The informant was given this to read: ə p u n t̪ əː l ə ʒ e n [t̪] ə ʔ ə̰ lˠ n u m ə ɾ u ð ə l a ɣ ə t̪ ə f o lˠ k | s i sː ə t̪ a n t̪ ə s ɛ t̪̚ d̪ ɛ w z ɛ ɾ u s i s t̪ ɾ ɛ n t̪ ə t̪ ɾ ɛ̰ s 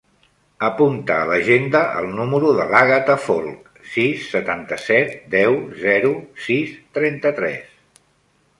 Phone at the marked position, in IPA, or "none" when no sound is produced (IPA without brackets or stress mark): d̪